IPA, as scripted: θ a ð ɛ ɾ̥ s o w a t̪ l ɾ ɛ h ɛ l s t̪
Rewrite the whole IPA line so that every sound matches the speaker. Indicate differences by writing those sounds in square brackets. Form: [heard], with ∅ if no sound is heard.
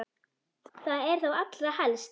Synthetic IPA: θ a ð ɛ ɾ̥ [θ] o w a t̪ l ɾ [a] h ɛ l s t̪